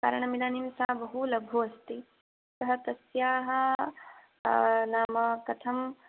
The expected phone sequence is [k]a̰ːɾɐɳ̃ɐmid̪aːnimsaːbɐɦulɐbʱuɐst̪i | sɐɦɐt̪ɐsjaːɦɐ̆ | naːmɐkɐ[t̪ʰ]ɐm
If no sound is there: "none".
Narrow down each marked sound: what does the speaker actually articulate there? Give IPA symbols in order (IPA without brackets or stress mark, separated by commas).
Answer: k, t̪ʰ